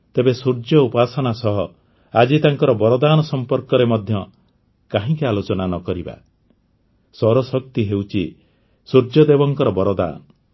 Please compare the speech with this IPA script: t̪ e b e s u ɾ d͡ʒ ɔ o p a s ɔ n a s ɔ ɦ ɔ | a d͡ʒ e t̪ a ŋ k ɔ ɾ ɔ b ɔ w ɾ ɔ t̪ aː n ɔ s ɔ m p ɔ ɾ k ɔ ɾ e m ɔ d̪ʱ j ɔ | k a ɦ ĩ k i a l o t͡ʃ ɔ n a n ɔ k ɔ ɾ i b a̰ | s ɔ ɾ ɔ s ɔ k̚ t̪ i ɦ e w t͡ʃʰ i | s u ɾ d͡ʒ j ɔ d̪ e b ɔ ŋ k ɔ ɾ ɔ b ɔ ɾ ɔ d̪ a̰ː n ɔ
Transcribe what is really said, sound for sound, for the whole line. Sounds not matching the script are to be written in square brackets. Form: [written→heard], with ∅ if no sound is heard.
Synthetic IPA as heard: t̪ e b e s u ɾ d͡ʒ ɔ [o→u] p a s ɔ n a s ɔ ɦ ɔ | a d͡ʒ [e→i] t̪ a ŋ k ɔ ɾ ɔ b ɔ [w→∅] ɾ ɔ [t̪→d̪] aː n ɔ s ɔ m p ɔ ɾ k ɔ ɾ e m ɔ d̪ʱ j ɔ | k a ɦ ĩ k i a l o t͡ʃ ɔ n a n ɔ k ɔ ɾ i b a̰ | s ɔ ɾ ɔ s ɔ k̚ t̪ i ɦ e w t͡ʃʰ i | s u ɾ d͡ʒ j ɔ d̪ e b ɔ ŋ k ɔ ɾ ɔ b ɔ ɾ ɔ d̪ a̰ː n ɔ